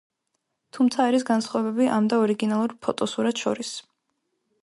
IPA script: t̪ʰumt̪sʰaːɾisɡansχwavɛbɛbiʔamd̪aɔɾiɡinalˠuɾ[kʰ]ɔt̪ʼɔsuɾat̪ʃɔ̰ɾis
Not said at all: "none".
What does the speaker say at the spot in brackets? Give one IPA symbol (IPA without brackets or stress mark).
pʰ